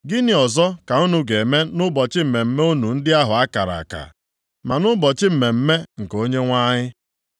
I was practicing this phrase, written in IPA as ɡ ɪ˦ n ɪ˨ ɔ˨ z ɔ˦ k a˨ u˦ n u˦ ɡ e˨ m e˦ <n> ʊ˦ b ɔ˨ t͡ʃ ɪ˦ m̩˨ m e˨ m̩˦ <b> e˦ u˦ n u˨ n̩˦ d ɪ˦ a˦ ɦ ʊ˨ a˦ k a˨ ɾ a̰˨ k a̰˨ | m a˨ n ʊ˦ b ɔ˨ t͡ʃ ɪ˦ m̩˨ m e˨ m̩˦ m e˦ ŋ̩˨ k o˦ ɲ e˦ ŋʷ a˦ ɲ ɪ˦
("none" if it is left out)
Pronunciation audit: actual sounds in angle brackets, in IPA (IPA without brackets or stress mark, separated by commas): n, m